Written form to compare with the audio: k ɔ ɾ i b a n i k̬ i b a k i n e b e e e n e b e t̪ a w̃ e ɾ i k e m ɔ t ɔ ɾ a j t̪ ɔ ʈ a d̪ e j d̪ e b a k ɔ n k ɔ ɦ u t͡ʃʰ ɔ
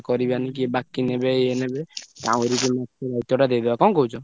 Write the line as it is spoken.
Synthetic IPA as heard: k ɔ ɾ i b a n i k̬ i b a k i n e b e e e n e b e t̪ a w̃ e ɾ i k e m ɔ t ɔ ɾ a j t̪ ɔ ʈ a d̪ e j d̪ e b a k ɔ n k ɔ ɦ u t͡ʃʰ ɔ